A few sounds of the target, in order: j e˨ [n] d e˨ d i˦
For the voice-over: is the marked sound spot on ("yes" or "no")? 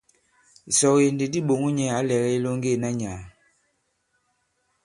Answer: yes